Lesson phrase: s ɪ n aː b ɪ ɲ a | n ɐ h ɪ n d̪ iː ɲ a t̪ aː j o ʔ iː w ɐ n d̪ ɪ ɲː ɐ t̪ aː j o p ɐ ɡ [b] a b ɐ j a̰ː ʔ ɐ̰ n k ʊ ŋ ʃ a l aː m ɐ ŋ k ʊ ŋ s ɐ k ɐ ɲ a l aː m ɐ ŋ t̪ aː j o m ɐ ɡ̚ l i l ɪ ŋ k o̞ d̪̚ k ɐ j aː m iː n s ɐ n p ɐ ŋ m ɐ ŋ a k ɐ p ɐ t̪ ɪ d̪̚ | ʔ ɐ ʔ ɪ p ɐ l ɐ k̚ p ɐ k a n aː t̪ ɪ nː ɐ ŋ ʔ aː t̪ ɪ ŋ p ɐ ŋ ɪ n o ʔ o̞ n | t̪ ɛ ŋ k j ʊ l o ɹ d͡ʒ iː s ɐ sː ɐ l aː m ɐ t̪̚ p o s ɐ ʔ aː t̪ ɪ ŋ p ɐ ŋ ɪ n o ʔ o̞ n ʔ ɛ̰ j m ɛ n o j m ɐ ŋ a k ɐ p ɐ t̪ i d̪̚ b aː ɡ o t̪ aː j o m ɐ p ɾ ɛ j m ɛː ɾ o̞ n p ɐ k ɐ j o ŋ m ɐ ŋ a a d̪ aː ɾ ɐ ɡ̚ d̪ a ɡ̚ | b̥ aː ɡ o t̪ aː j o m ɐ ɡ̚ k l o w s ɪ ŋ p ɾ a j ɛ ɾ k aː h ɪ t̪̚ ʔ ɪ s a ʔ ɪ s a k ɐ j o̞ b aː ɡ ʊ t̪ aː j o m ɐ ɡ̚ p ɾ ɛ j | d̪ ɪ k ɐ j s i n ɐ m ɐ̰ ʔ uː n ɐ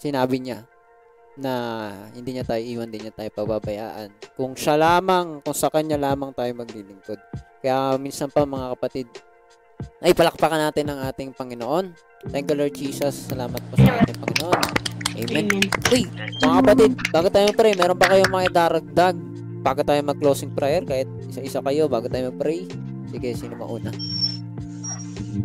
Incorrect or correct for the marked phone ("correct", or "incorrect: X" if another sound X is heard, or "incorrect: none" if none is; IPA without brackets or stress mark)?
correct